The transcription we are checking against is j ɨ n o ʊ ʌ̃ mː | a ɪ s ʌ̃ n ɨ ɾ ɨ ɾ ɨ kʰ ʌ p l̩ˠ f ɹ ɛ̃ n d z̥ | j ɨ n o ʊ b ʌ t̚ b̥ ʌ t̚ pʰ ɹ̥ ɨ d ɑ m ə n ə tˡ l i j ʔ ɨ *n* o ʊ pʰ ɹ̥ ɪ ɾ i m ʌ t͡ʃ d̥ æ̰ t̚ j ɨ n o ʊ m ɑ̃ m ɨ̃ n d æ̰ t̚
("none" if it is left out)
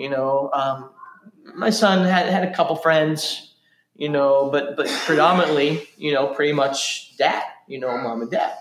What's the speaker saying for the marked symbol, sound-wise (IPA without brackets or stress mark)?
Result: n